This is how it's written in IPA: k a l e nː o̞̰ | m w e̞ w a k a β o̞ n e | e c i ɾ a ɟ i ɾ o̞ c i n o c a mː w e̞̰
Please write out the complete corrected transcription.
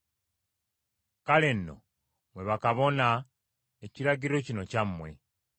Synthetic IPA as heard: k a l e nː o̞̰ | m w e̞ β a k a β o̞ n a | e c i ɾ a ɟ i ɾ o̞ c i n o c a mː w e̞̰